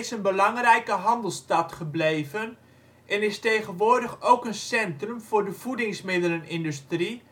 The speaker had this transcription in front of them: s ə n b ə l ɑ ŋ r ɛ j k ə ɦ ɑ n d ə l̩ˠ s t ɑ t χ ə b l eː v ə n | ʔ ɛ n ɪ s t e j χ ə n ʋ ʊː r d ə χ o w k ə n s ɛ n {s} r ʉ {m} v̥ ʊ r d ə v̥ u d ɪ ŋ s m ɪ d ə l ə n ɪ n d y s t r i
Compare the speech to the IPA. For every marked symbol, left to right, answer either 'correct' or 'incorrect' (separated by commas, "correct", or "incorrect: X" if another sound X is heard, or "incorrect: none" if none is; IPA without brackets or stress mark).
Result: incorrect: t, correct